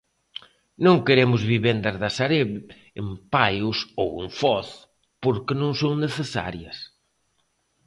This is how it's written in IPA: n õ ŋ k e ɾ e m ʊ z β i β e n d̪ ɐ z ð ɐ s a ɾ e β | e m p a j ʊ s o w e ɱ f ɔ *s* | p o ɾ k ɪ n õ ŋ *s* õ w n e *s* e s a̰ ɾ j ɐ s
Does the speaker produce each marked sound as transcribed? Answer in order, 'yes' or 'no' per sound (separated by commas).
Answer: no, yes, no